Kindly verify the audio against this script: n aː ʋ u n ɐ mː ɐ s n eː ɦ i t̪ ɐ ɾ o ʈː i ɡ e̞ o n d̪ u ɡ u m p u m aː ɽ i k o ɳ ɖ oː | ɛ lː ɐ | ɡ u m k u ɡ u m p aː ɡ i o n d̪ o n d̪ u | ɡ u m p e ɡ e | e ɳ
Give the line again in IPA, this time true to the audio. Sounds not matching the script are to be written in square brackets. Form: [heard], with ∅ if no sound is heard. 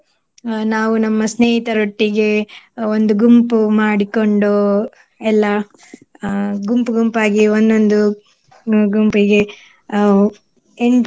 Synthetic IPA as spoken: n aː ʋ u n ɐ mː ɐ s n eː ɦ i t̪ ɐ ɾ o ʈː i ɡ e̞ o n d̪ u ɡ u m p u m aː ɽ i k o ɳ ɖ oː | ɛ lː ɐ | ɡ u m [p] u ɡ u m p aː ɡ i o n d̪ o n d̪ u | ɡ u m p [i] ɡ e | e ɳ